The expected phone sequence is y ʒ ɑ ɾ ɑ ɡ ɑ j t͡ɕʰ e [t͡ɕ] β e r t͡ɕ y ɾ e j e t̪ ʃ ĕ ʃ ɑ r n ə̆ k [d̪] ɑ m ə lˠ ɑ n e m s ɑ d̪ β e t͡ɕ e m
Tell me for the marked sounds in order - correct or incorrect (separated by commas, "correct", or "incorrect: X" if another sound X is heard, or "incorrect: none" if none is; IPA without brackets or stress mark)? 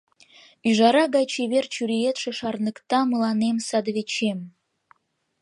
incorrect: none, incorrect: t̪